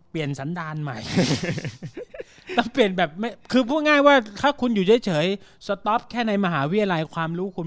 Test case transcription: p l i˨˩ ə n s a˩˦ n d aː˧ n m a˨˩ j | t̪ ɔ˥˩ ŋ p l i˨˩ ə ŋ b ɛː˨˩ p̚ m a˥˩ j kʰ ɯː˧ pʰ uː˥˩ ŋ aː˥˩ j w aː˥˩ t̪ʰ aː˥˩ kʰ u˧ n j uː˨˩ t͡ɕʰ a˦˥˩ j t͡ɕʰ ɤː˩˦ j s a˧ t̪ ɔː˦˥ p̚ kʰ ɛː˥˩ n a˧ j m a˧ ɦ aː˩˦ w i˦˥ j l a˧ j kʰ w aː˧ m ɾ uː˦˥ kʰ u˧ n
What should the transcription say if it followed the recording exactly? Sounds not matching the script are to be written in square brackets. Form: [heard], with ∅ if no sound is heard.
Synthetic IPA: p l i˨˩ ə n s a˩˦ n d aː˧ n m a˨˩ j | t̪ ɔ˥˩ ŋ p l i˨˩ ə [n] b ɛː˨˩ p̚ m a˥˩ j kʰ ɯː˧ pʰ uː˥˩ ŋ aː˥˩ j w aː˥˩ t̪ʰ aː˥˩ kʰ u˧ n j uː˨˩ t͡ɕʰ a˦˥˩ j t͡ɕʰ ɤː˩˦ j s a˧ t̪ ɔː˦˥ p̚ kʰ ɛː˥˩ n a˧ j m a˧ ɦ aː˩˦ w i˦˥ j l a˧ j kʰ w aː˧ m ɾ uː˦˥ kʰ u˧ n